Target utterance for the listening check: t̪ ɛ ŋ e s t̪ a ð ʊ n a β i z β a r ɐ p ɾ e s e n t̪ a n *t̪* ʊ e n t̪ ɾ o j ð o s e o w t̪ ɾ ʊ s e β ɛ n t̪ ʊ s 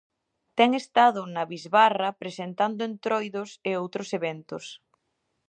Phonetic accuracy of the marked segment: incorrect: d̪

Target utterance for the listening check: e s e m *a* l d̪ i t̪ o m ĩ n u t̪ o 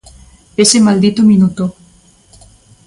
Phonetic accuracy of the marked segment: correct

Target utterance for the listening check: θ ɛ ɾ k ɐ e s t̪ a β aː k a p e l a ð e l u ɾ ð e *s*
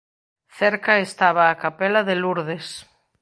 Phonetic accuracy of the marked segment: correct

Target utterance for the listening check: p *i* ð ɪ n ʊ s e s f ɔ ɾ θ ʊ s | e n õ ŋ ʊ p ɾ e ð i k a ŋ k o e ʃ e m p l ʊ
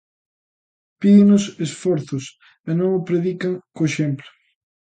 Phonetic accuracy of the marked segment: correct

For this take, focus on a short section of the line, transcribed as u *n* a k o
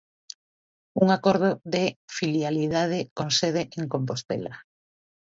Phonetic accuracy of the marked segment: incorrect: ŋ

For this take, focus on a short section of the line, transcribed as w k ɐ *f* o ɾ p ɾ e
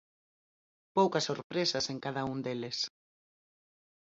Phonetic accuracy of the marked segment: incorrect: s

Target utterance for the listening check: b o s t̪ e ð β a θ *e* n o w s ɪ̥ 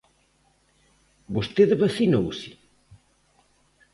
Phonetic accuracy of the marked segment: incorrect: i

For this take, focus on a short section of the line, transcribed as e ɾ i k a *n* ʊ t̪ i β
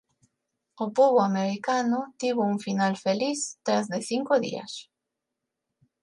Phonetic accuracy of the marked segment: correct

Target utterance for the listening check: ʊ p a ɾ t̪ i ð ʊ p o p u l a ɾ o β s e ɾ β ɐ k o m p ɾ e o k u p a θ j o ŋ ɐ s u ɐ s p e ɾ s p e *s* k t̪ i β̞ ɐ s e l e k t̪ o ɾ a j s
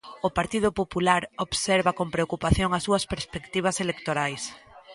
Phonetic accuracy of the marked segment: incorrect: none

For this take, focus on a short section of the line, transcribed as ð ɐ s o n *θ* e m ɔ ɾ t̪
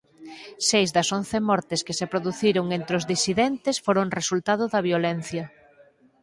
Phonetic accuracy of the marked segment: correct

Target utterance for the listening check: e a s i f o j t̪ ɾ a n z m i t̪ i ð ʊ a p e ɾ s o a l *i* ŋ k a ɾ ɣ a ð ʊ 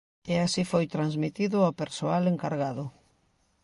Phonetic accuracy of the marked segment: incorrect: e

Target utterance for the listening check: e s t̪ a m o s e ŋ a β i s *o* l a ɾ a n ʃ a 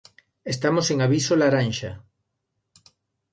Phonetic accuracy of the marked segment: correct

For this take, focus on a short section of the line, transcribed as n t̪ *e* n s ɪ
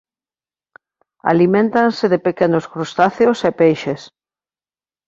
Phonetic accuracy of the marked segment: incorrect: a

